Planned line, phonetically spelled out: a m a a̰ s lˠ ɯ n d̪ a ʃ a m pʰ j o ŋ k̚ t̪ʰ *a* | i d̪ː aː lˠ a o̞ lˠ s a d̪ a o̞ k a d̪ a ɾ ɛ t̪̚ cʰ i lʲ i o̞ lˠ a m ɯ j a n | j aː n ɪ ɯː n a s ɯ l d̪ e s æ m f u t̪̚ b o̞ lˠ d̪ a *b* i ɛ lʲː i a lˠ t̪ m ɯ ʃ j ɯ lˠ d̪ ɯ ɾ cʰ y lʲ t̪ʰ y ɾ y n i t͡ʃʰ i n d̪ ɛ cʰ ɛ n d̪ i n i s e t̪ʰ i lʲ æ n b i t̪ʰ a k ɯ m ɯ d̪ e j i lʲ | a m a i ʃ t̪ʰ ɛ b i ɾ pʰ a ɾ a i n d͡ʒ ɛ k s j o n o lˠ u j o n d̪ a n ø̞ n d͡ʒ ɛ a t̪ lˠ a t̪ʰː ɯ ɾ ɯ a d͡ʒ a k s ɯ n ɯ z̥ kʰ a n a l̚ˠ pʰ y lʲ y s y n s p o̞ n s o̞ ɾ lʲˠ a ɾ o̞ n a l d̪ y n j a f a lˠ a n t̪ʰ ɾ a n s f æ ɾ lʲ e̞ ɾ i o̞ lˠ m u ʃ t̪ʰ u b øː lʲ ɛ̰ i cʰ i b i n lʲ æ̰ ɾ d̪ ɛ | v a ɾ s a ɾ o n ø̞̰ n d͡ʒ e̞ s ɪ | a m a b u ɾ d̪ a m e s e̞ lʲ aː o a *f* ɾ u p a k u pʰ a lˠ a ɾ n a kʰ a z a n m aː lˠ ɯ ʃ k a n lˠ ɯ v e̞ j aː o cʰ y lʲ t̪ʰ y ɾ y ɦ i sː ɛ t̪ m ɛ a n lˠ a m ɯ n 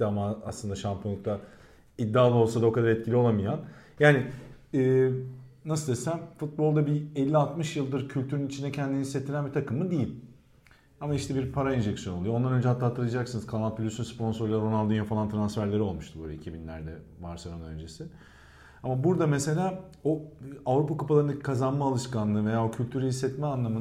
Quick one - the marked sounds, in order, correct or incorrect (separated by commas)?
correct, correct, incorrect